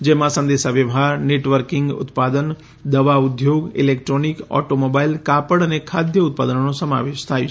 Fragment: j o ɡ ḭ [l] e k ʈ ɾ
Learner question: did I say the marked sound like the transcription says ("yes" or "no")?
yes